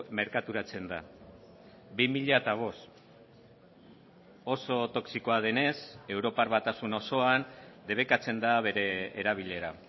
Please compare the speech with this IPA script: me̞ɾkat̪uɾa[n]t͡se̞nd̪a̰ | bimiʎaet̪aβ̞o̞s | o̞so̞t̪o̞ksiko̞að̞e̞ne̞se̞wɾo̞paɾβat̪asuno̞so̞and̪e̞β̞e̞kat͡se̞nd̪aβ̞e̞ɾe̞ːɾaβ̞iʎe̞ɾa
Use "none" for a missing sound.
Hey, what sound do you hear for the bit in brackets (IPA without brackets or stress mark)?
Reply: none